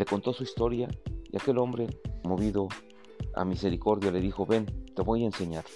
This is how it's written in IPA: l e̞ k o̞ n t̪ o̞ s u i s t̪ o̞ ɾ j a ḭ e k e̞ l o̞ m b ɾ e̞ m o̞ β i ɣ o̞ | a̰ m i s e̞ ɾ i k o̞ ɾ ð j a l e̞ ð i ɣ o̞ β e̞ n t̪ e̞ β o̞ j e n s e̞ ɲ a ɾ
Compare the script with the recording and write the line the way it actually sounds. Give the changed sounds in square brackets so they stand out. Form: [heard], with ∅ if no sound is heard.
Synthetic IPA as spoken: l e̞ k o̞ n t̪ o̞ s u i s t̪ o̞ ɾ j a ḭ [a] k e̞ l o̞ m b ɾ e̞ m o̞ β i [ð] o̞ | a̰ m i s e̞ ɾ i k o̞ ɾ ð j a l e̞ ð i [x] o̞ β e̞ n t̪ e̞ β o̞ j e n s e̞ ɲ a ɾ